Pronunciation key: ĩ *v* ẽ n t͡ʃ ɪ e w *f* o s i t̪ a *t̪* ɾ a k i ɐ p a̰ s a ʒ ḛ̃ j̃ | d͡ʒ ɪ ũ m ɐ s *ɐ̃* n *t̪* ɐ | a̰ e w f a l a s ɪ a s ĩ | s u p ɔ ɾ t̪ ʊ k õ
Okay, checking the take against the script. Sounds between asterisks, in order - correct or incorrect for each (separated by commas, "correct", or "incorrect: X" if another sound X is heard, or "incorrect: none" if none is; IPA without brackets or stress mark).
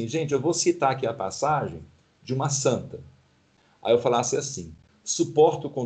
incorrect: ʒ, incorrect: v, incorrect: none, correct, correct